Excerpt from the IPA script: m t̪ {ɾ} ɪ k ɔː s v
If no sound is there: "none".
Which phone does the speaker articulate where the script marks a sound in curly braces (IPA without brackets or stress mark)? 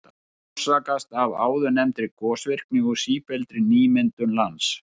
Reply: ɾ